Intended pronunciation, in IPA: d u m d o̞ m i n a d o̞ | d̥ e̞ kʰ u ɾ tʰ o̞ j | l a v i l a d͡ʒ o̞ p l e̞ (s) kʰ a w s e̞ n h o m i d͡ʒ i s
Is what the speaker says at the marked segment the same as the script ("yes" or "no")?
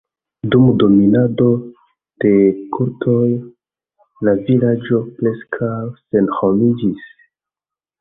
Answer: yes